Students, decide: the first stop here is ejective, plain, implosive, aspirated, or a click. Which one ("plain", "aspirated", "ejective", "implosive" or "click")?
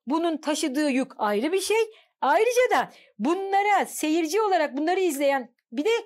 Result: plain